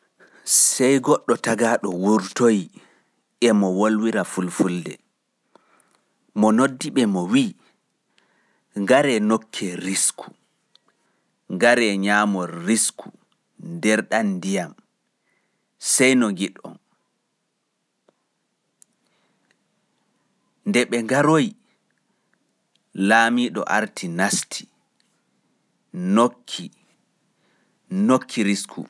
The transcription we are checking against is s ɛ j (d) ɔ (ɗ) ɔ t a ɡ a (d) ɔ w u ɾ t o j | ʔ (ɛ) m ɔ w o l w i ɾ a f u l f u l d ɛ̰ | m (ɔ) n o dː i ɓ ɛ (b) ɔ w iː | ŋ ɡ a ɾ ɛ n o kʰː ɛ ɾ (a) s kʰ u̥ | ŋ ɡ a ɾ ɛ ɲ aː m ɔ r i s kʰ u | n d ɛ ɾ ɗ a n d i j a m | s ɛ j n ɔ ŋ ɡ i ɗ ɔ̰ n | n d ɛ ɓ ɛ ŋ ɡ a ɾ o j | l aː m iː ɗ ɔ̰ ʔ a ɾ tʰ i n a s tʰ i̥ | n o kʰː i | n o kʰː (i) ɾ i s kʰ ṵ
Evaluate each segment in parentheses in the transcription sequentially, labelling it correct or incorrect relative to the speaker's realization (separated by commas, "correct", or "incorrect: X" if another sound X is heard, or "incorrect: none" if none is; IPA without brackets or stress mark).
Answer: incorrect: ɡ, incorrect: ɗː, incorrect: ɗ, correct, correct, incorrect: m, incorrect: i, correct